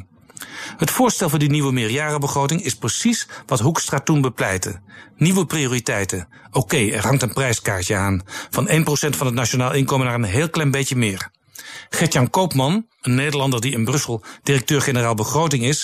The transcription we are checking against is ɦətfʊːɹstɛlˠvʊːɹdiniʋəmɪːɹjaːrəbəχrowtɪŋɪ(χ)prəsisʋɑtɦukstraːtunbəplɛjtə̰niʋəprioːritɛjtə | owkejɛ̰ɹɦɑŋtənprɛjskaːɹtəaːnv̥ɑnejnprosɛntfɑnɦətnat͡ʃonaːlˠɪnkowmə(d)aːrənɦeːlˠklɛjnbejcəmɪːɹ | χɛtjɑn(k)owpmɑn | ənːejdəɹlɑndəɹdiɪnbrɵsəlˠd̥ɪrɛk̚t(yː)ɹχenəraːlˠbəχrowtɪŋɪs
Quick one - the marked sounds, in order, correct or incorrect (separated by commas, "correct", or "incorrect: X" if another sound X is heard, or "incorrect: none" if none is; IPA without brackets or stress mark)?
incorrect: s, incorrect: n, correct, incorrect: øː